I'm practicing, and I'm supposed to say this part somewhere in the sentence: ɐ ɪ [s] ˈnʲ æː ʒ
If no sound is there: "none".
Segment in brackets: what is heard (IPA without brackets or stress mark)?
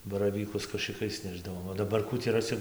s